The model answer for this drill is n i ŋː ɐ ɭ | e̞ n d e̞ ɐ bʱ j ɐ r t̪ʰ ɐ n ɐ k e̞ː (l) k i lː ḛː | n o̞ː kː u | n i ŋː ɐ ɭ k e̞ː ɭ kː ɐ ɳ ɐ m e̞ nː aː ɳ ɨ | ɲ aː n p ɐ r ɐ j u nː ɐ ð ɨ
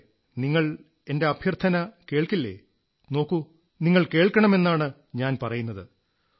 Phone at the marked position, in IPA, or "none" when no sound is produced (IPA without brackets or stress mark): ɭ